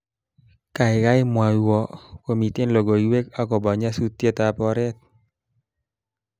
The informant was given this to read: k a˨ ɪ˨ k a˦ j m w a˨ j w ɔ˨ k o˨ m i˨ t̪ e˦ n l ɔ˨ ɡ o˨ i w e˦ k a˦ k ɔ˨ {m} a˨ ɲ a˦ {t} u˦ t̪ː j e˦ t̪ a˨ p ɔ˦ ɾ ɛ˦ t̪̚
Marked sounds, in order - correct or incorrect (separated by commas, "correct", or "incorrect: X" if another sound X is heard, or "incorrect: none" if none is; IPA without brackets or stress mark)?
incorrect: b, incorrect: s